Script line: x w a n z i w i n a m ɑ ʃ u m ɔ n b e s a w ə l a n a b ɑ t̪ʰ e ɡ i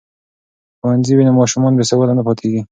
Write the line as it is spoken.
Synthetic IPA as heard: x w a n z i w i n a m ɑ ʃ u m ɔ n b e s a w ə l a n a p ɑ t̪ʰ e ɡ i